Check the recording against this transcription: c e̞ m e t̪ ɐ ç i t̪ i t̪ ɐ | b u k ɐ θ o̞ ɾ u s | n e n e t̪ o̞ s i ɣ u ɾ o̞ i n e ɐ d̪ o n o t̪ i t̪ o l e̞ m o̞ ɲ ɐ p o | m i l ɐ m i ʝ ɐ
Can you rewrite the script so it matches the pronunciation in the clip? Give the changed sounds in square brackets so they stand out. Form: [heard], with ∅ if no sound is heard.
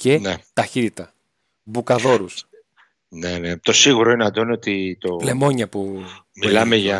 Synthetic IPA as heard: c e̞ [n] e t̪ ɐ ç i t̪ i t̪ ɐ | b u k ɐ [ð] o̞ ɾ u s | n e n e t̪ o̞ s i ɣ u ɾ o̞ i n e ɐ d̪ o n o t̪ i t̪ o l e̞ m o̞ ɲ ɐ p [u] | m i l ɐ m [e] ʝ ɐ